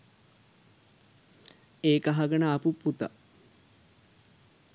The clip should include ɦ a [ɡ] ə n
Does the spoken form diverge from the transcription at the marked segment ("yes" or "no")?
no